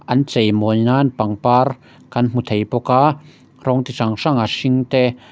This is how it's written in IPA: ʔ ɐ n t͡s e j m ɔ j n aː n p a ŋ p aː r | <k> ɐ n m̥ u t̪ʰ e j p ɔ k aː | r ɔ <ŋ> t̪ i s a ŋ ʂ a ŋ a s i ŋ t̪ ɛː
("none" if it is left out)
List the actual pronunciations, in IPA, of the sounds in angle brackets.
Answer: k, ŋ

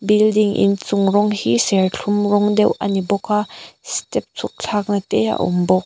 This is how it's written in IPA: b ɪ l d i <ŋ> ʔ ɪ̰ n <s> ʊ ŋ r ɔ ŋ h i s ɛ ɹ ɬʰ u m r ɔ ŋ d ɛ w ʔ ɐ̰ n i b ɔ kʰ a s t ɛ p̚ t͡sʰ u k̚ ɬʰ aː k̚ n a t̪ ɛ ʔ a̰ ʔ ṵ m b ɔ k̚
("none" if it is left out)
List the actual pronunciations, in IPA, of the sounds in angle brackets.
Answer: ŋ, t͡s

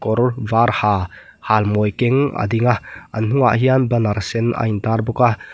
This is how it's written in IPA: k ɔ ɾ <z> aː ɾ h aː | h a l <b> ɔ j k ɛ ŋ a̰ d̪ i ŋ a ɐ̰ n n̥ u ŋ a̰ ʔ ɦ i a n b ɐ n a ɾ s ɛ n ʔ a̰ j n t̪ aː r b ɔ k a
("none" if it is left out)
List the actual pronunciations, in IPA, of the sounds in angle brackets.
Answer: v, m

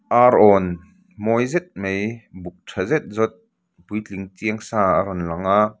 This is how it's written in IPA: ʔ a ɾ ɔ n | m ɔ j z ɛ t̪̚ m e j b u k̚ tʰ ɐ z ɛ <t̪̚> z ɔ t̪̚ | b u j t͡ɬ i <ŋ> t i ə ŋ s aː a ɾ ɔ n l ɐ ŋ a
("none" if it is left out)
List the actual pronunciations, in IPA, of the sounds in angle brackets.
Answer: t̪̚, ŋ

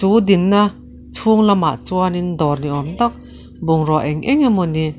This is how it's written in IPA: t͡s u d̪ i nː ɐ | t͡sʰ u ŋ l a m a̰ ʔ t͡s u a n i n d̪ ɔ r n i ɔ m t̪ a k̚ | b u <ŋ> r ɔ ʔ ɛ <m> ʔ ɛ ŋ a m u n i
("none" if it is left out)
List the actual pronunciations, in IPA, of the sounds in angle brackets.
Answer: ŋ, ŋ

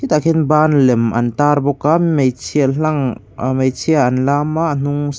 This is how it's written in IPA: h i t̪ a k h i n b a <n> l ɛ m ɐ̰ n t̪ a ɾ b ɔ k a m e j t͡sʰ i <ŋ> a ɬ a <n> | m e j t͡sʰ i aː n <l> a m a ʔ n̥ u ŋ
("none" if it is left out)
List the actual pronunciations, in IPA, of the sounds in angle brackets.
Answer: n, none, ŋ, l

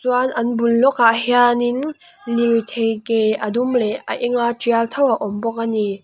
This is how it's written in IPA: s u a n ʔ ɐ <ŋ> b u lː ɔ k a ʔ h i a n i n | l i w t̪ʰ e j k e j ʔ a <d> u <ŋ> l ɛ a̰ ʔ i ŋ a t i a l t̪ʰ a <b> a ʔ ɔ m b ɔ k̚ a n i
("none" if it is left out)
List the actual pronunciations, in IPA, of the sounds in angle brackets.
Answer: n, d, m, w

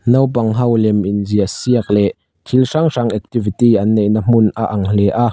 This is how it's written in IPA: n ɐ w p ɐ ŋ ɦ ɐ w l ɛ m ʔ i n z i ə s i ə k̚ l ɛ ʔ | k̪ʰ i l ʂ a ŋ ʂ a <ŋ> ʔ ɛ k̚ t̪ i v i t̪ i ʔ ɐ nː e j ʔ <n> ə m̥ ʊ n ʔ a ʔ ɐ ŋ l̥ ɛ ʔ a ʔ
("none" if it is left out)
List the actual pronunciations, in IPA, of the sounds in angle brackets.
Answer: ŋ, n

